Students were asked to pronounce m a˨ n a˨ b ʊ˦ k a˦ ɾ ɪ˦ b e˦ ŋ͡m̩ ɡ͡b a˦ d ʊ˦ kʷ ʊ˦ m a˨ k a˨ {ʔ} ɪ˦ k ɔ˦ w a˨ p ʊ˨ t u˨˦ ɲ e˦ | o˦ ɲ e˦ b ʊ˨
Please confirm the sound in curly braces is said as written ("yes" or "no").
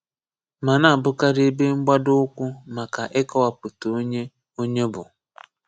yes